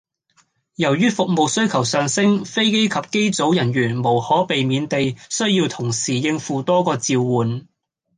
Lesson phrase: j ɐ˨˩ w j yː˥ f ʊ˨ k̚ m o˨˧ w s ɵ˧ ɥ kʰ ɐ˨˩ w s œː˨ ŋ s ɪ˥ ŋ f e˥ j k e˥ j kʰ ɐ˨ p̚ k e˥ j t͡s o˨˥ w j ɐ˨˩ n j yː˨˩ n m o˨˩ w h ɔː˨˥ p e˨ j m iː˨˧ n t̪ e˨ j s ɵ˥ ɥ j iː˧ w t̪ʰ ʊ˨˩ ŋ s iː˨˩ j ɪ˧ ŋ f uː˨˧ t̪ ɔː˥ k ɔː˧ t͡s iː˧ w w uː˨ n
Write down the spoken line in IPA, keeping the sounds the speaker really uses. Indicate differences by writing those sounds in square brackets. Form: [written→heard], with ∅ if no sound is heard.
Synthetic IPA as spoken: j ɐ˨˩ w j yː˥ f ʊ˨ k̚ m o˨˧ w s [ɵ˧→ɵ˥] ɥ kʰ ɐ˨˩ w s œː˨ ŋ s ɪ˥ ŋ f e˥ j k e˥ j kʰ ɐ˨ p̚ k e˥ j t͡s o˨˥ w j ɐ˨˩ n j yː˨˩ n m o˨˩ w h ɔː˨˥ p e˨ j m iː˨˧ n t̪ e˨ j s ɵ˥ ɥ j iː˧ w t̪ʰ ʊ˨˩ ŋ s iː˨˩ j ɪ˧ ŋ f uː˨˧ t̪ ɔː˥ k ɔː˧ t͡s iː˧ w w uː˨ n